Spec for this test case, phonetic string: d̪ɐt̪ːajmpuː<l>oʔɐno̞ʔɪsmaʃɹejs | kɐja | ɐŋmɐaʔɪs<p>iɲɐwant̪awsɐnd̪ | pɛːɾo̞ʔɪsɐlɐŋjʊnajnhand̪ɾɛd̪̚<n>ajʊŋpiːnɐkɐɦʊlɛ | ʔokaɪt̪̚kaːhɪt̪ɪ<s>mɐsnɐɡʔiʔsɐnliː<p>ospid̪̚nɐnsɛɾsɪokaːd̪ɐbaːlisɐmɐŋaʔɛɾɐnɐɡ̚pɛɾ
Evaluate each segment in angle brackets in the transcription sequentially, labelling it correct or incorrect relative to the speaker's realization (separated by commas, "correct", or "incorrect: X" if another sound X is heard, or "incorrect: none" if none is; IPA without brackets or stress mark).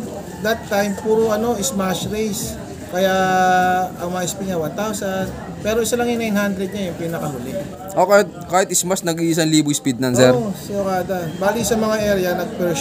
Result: incorrect: ɾ, correct, incorrect: ɲ, correct, incorrect: b